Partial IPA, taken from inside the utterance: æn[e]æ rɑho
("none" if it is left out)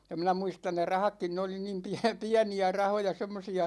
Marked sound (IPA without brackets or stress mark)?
i